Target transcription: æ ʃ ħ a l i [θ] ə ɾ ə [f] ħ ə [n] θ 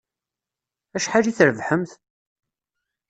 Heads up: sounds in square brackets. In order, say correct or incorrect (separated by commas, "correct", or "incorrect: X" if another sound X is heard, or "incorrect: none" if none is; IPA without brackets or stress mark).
correct, incorrect: v, incorrect: m